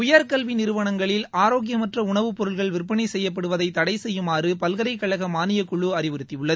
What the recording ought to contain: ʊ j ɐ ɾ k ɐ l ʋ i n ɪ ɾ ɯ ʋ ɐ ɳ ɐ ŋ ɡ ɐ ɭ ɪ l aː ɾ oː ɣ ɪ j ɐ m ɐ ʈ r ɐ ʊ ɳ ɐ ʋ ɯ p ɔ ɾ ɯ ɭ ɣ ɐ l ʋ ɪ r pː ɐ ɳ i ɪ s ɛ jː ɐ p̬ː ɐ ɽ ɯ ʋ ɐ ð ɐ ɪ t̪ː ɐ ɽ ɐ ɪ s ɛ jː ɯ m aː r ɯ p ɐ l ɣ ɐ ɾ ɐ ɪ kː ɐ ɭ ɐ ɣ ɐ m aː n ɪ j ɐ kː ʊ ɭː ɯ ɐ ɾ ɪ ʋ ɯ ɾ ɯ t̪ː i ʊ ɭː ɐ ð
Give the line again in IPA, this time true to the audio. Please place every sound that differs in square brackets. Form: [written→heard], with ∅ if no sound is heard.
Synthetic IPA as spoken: ʊ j ɐ ɾ k ɐ l ʋ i n ɪ ɾ ɯ ʋ ɐ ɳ ɐ ŋ ɡ ɐ ɭ ɪ l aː ɾ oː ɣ ɪ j ɐ m ɐ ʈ r ɐ ʊ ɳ ɐ ʋ ɯ p ɔ ɾ ɯ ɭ ɣ ɐ [l→ɭ] ʋ ɪ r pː ɐ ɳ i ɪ s ɛ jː ɐ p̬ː ɐ ɽ ɯ ʋ ɐ ð ɐ ɪ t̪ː ɐ ɽ ɐ ɪ s ɛ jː ɯ m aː r ɯ p ɐ l ɣ ɐ ɾ ɐ ɪ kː ɐ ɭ ɐ ɣ ɐ m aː n ɪ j ɐ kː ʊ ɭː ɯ ɐ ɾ ɪ ʋ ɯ ɾ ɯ t̪ː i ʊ ɭː ɐ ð